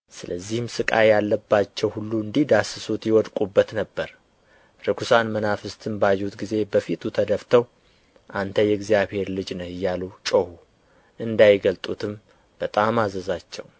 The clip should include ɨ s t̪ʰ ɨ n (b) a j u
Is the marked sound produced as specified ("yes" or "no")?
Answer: yes